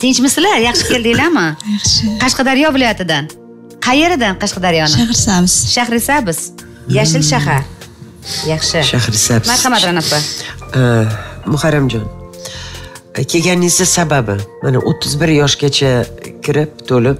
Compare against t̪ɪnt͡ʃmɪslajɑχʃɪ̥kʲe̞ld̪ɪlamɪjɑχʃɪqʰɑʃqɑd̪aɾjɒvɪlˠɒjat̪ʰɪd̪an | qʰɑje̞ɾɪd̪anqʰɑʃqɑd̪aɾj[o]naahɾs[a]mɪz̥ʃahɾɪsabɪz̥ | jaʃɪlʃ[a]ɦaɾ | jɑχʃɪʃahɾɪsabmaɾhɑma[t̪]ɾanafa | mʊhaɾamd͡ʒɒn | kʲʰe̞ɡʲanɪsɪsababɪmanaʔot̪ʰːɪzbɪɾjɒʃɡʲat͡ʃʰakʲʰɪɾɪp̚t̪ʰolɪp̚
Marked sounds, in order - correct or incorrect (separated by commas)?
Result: incorrect, correct, correct, correct